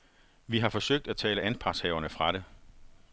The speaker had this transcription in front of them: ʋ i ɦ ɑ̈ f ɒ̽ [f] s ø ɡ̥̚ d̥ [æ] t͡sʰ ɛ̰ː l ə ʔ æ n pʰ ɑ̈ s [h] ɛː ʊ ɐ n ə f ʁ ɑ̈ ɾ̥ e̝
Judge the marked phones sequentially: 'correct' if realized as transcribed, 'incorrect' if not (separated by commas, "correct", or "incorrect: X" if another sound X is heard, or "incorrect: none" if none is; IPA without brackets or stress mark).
incorrect: none, correct, correct